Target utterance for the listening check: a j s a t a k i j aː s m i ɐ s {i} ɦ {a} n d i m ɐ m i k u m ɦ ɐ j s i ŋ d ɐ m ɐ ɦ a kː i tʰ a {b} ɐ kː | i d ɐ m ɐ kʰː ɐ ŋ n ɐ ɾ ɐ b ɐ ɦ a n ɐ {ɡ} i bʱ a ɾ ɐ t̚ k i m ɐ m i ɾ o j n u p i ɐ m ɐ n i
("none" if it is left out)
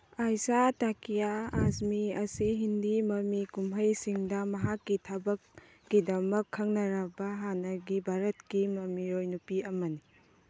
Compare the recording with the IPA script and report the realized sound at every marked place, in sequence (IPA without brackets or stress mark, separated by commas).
i, i, b, ɡ